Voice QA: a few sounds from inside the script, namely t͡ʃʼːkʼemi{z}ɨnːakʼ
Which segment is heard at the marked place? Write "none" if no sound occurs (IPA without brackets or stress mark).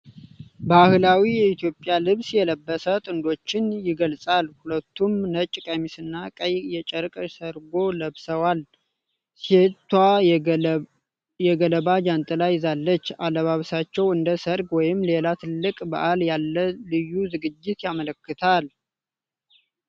s